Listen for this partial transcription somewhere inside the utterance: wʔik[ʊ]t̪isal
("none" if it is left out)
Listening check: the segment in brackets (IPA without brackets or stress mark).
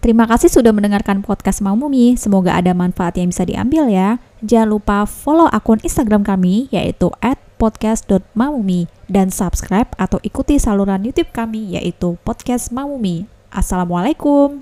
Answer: u